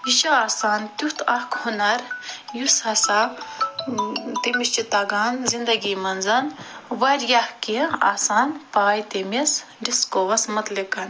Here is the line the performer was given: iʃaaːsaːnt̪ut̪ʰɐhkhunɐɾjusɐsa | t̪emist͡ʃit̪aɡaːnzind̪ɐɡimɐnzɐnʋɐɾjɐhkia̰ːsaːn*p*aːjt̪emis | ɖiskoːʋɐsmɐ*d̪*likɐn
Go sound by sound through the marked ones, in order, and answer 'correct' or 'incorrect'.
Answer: correct, incorrect

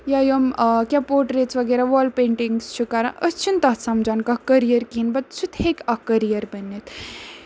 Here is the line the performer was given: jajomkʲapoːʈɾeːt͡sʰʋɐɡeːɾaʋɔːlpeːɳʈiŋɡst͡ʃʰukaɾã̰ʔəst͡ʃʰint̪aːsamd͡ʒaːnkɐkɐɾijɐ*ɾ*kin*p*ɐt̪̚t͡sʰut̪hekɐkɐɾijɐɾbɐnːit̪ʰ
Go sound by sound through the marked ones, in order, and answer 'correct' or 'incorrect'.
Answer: correct, incorrect

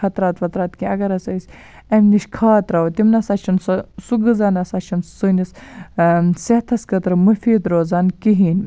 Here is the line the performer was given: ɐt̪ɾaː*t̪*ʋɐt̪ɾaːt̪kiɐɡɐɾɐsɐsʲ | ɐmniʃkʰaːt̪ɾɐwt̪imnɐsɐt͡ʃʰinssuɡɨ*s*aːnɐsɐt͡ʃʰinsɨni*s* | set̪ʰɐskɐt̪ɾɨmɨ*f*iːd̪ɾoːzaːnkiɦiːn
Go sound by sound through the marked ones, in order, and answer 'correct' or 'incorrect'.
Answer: correct, incorrect, correct, correct

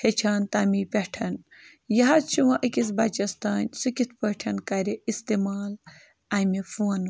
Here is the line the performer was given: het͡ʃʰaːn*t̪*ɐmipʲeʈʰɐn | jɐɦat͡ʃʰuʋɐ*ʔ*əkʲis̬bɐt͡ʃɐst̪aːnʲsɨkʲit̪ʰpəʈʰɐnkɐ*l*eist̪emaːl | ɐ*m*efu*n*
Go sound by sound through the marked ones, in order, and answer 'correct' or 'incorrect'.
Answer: correct, correct, incorrect, correct, correct

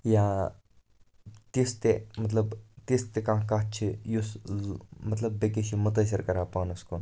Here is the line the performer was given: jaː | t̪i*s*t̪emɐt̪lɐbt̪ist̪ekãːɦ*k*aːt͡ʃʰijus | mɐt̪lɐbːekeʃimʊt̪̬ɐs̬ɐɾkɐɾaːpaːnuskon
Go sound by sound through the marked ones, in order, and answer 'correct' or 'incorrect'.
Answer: correct, correct

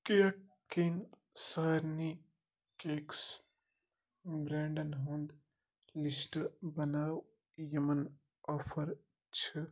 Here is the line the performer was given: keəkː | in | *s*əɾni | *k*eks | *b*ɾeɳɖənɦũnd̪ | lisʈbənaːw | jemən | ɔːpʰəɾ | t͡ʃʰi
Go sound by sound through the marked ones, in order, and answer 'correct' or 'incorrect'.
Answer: correct, correct, correct

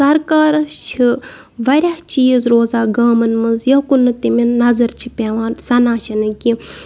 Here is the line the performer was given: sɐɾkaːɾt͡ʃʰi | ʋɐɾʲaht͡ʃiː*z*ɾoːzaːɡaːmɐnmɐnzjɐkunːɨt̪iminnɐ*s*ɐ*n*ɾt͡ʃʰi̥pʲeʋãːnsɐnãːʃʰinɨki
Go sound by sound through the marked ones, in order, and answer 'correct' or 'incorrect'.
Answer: correct, incorrect, incorrect

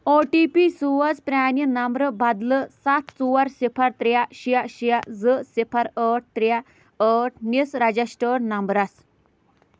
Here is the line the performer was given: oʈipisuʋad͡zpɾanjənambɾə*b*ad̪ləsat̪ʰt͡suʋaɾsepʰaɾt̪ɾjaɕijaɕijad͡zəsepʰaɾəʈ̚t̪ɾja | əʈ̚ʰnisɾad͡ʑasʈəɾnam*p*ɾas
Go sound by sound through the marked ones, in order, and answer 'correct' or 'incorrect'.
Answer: correct, incorrect

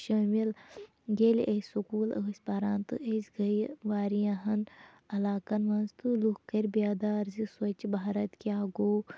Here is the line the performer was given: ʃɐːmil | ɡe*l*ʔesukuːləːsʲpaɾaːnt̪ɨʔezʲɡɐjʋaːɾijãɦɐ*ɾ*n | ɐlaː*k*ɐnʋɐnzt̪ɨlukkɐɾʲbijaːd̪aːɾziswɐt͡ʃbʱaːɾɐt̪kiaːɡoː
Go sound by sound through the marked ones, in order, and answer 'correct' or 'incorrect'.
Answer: correct, incorrect, correct

